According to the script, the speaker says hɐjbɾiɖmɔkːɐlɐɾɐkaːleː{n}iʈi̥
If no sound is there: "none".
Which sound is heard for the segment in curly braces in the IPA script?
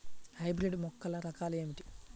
m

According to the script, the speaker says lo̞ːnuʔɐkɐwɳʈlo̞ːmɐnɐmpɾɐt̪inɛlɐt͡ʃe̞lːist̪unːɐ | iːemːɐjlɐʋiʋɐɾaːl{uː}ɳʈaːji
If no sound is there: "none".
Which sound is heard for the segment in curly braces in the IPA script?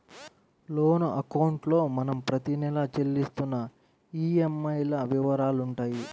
u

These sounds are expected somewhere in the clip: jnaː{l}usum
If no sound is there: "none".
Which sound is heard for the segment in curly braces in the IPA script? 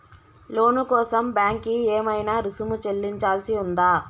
ɾ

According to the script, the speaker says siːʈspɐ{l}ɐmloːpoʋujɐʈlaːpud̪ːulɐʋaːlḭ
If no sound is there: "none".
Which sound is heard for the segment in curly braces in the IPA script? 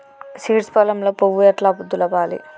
l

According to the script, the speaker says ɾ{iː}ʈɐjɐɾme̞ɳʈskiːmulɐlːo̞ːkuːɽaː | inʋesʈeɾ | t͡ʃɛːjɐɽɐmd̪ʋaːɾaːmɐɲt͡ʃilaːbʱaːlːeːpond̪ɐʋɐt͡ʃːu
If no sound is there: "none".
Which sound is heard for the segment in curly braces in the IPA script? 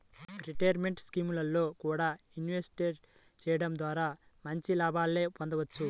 i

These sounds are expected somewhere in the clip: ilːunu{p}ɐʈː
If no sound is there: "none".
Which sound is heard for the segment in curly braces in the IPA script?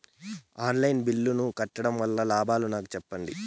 k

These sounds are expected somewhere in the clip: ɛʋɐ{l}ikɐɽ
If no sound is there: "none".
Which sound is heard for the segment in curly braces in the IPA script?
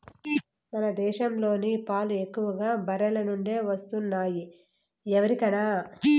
ɾ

